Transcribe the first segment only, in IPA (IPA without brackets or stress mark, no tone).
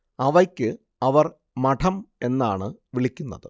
ɐ